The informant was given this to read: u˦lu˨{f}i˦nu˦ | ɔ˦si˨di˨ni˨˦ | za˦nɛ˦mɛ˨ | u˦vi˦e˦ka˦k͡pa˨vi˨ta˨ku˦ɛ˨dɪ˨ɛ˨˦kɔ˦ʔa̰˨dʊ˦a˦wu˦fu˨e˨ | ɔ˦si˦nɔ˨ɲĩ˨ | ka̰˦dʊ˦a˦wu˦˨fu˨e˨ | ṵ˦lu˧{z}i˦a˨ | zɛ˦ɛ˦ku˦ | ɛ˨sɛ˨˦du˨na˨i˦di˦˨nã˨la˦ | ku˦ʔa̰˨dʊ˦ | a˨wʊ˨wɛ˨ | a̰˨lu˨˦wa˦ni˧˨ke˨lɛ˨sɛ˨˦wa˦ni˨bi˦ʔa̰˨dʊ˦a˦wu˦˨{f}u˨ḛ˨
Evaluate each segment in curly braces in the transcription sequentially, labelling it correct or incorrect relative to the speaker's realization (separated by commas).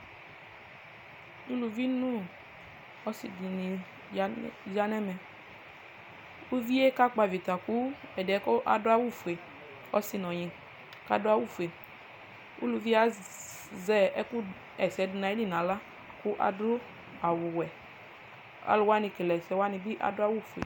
incorrect, incorrect, correct